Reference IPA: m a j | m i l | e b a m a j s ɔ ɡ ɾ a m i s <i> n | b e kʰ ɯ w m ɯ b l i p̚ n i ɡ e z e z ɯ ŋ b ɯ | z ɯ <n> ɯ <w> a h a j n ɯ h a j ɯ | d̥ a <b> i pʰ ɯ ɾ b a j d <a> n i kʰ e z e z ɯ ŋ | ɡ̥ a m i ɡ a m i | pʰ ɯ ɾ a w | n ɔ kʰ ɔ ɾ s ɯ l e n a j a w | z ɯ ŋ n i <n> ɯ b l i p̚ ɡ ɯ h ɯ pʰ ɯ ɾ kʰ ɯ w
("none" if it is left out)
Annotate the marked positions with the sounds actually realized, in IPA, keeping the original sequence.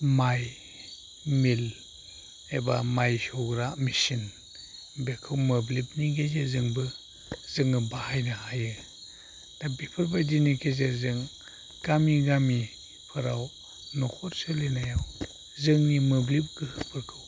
i, ŋ, b, b, i, m

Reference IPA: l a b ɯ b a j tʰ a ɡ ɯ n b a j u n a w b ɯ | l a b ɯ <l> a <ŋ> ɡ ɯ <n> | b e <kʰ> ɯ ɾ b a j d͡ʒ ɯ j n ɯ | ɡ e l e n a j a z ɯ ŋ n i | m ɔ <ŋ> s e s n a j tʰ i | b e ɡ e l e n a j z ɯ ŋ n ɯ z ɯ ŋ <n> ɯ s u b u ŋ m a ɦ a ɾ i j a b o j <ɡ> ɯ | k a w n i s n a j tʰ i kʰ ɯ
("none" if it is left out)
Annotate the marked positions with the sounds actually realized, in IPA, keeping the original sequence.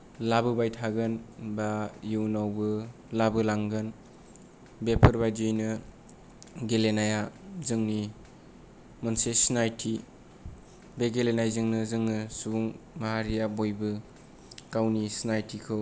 l, ŋ, n, pʰ, n, n, b

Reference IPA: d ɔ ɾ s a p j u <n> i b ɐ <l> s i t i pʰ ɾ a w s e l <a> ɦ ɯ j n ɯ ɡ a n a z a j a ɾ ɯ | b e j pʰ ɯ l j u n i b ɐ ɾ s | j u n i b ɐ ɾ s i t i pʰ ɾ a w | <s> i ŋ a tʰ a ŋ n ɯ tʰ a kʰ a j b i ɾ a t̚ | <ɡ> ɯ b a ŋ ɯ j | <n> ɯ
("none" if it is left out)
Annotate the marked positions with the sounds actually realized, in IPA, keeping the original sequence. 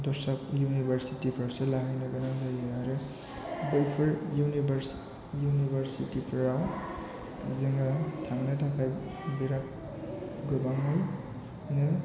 n, ɾ, a, z, ɡ, n

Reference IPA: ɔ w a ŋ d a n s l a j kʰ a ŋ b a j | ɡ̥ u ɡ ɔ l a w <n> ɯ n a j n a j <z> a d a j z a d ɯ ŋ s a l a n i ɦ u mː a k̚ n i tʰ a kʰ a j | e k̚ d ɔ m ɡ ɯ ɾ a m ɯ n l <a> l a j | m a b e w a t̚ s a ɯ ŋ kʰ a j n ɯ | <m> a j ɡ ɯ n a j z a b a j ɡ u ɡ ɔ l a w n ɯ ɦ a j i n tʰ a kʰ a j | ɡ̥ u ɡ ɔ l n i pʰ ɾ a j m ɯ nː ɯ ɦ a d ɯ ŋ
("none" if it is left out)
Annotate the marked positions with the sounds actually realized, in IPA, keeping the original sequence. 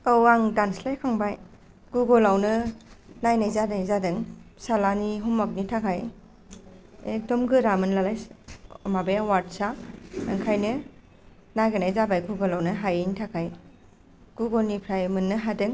n, z, a, n

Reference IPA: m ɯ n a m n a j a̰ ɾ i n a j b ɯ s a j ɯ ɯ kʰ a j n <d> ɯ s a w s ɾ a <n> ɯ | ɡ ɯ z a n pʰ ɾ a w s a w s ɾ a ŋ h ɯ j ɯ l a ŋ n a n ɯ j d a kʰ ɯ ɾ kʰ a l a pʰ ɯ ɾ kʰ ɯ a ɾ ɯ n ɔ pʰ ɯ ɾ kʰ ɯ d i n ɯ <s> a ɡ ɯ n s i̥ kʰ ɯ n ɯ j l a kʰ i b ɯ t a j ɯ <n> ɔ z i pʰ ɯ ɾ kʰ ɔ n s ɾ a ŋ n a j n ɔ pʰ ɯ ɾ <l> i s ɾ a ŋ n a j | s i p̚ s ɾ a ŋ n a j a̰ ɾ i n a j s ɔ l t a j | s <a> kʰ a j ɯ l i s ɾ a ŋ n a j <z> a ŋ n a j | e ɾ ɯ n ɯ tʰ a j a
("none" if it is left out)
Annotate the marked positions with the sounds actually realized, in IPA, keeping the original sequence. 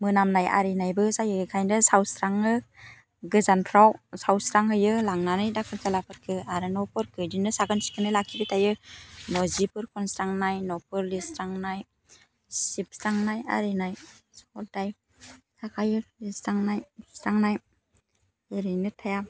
d, ŋ, s, n, l, a, s

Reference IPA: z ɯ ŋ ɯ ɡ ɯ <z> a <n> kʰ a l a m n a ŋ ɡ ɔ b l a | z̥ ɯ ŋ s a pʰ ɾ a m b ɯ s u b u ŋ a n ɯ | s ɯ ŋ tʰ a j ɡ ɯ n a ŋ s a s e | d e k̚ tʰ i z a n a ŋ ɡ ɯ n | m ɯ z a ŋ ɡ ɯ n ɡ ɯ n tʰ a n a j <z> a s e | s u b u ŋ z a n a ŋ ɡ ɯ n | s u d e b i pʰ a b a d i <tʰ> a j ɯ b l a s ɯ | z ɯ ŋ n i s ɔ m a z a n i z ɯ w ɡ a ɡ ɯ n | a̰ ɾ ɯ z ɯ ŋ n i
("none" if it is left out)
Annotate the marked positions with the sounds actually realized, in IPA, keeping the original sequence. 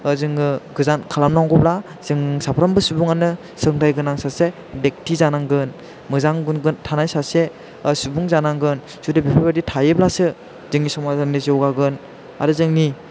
z, n, s, tʰ

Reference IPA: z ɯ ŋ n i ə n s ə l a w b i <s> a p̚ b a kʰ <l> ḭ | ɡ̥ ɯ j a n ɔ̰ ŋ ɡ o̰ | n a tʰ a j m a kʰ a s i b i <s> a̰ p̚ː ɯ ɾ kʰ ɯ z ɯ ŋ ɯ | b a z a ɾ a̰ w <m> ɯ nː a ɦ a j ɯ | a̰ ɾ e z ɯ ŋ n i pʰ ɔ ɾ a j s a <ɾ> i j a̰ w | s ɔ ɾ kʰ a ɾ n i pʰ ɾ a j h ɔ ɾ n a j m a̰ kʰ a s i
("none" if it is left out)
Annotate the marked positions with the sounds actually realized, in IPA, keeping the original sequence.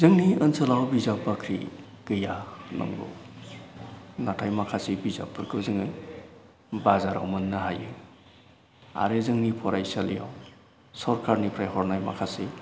z, ɾ, z, m, l

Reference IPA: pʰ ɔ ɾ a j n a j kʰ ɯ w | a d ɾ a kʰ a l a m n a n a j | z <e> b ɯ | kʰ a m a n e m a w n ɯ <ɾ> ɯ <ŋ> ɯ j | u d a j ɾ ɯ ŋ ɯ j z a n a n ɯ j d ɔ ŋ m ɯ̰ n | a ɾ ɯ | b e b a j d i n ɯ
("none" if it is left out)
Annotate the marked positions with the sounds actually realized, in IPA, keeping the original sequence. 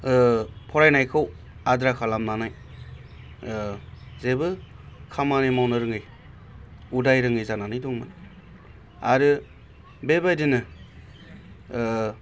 e, ɾ, ŋ

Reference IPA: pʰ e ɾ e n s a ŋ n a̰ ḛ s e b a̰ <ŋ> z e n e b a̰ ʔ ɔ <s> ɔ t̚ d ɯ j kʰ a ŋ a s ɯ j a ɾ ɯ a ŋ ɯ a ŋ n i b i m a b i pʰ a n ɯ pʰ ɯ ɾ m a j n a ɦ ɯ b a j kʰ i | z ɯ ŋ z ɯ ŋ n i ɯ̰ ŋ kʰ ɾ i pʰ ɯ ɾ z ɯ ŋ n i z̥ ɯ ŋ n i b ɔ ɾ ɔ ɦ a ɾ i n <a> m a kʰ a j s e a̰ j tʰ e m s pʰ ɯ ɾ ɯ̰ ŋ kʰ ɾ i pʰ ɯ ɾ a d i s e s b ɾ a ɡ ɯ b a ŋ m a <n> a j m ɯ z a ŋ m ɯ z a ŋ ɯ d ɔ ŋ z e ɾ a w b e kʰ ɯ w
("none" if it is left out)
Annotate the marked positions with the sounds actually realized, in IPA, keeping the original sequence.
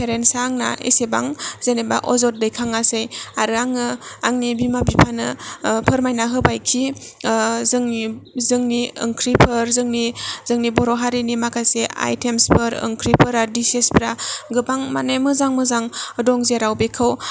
ŋ, z, i, n

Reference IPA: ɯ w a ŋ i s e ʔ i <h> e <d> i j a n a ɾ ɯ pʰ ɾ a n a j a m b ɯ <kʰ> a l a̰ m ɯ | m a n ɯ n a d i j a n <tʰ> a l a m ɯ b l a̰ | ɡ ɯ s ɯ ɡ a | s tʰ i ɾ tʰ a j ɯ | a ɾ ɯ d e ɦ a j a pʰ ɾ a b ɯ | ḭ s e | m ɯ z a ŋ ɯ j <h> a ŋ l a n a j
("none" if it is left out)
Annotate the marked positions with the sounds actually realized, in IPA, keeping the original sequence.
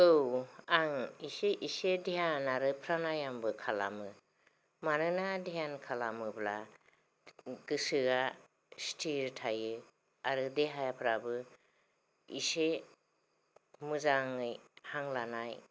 s, d, kʰ, kʰ, h

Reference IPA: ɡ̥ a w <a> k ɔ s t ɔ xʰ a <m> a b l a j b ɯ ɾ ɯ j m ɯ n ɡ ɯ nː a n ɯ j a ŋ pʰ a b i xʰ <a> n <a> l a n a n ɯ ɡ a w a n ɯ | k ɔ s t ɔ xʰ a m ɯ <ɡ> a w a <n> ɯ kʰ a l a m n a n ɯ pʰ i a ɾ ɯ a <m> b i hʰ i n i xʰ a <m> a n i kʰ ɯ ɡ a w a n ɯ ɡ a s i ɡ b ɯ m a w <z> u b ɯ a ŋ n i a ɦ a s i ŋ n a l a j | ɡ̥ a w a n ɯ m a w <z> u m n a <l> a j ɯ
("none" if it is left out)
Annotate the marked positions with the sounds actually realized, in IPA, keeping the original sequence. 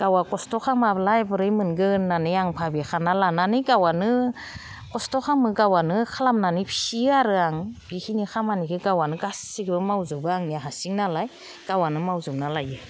a, m, a, a, ɡ, n, ŋ, m, z, z, l

